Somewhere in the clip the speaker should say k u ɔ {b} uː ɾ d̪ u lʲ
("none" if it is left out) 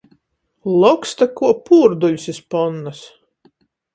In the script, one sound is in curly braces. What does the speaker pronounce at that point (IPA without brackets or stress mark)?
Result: p